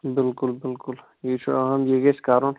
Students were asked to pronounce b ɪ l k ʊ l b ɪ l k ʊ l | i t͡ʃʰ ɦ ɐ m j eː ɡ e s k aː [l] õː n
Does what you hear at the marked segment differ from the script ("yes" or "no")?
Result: yes